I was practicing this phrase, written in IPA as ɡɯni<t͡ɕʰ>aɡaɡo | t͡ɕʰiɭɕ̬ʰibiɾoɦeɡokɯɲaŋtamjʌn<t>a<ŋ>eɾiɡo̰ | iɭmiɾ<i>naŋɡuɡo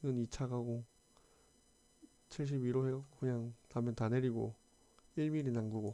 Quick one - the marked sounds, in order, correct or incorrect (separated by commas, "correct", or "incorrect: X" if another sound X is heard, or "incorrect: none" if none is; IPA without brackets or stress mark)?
correct, correct, incorrect: n, correct